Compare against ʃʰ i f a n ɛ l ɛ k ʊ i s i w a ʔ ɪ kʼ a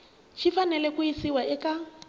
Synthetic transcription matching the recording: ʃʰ i f a n ɛ l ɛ k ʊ i s i w a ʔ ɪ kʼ a